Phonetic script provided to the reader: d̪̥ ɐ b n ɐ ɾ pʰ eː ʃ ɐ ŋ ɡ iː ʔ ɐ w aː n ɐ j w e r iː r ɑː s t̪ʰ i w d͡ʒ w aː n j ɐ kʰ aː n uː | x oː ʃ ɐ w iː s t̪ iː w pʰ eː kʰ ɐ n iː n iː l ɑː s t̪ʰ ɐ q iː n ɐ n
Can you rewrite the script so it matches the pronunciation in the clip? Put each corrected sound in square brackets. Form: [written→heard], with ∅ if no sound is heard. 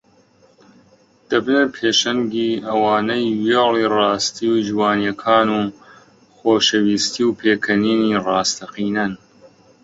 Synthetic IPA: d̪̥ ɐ b n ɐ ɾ pʰ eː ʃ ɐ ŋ ɡ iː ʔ ɐ w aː n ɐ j w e [r→l] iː r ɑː s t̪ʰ i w d͡ʒ w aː n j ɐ kʰ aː n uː | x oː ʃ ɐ w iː s t̪ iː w pʰ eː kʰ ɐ n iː n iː [l→r] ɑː s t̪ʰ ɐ q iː n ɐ n